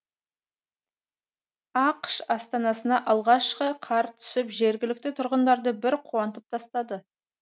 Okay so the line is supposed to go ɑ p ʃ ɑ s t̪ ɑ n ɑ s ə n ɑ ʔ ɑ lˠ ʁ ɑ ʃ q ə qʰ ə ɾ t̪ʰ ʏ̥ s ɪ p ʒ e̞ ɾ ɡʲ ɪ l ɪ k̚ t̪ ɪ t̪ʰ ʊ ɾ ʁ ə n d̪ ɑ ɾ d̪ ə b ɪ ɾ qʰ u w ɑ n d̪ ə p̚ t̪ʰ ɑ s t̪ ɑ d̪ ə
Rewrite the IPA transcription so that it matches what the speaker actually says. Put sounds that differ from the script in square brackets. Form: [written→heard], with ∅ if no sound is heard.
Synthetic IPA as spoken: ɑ [p→q] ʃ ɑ s t̪ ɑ n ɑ s ə n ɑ ʔ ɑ lˠ ʁ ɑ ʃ q ə qʰ [ə→ɑ] ɾ t̪ʰ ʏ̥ s ɪ p ʒ e̞ ɾ ɡʲ ɪ l ɪ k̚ t̪ ɪ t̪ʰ ʊ ɾ ʁ ə n d̪ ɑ ɾ d̪ ə b ɪ ɾ qʰ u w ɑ n [d̪→t̪] ə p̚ t̪ʰ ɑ s t̪ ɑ d̪ ə